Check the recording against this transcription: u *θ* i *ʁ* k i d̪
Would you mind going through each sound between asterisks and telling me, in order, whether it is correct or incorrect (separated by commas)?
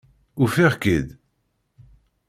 incorrect, correct